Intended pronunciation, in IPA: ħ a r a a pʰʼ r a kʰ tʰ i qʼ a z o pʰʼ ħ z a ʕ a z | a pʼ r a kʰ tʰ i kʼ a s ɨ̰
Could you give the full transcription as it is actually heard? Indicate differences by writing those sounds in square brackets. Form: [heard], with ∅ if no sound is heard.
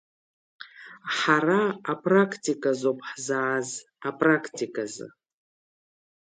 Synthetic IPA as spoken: ħ a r a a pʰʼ r a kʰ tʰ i [kʼ] a z o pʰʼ ħ z a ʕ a z | a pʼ r a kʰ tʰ i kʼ a [z] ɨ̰